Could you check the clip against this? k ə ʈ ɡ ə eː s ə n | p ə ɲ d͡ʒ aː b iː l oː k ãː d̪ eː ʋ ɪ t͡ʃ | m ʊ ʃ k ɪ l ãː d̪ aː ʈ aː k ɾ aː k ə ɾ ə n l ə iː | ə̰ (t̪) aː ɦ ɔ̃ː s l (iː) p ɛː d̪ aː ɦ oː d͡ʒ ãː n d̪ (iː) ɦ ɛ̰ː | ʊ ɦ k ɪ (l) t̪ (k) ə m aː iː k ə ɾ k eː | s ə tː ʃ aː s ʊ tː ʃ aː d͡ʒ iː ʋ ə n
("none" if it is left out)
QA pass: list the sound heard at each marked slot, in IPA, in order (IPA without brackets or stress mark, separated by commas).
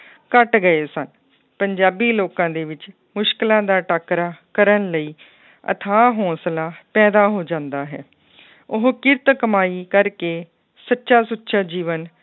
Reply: t̪ʰ, aː, aː, ɾ, k